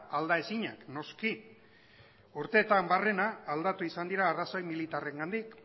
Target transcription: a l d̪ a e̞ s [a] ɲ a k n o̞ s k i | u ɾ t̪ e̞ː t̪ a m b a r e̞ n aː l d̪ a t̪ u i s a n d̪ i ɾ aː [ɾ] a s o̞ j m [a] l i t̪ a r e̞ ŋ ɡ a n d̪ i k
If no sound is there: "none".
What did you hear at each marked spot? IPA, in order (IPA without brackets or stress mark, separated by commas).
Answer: i, r, i